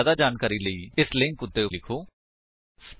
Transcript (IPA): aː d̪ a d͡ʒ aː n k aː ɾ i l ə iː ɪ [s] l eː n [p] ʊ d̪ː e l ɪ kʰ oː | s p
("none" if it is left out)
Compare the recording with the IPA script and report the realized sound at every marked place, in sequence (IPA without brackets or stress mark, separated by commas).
s, k